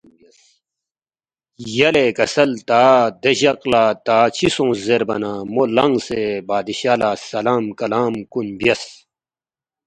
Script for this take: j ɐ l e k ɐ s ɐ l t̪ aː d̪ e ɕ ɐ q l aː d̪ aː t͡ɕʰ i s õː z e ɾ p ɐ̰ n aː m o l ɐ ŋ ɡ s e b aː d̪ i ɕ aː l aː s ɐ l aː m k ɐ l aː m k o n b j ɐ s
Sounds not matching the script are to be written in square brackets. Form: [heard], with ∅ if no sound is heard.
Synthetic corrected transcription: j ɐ l e k ɐ s ɐ l t̪ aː d̪ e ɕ ɐ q l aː [t̪] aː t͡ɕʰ i s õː z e ɾ [b] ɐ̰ n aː m o l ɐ ŋ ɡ s e b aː d̪ i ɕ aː l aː s ɐ l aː m k ɐ l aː m k [u] n b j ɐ s